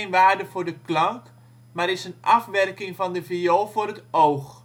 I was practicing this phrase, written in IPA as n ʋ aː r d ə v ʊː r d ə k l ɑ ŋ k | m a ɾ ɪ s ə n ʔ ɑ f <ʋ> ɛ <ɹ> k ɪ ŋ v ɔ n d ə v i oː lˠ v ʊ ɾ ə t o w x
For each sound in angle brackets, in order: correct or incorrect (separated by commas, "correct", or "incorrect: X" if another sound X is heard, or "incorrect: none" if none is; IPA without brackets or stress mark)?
correct, incorrect: r